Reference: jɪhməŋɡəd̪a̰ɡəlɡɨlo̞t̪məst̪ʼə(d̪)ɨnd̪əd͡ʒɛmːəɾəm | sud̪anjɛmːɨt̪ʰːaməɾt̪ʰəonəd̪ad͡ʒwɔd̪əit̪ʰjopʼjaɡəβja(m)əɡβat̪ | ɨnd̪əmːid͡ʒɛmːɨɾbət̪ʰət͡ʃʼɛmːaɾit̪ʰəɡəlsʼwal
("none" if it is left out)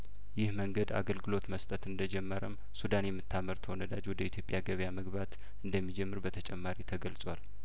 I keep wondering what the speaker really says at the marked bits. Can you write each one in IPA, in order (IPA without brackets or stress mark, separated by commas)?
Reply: t̪, m